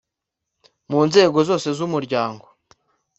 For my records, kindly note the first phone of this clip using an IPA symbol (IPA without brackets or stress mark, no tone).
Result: m